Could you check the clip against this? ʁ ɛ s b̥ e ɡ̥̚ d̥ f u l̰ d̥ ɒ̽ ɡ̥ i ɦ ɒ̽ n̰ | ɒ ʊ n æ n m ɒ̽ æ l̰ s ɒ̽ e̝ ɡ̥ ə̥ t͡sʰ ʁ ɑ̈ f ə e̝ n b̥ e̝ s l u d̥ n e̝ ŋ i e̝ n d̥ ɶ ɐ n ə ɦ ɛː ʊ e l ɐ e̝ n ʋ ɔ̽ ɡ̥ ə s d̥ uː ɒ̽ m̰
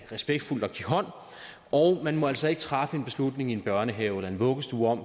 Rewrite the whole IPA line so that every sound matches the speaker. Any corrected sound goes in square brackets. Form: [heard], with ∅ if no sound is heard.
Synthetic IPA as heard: ʁ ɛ s b̥ e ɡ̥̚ d̥ f u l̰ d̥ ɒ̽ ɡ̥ i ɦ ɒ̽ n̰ | ɒ ʊ [m] æ n m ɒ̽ æ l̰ s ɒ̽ e̝ ɡ̥ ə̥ t͡sʰ ʁ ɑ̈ f ə e̝ n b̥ e̝ s l u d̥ n e̝ ŋ i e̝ n [b̥] ɶ ɐ n ə ɦ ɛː ʊ e l ɐ e̝ n ʋ ɔ̽ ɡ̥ ə s d̥ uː ɒ̽ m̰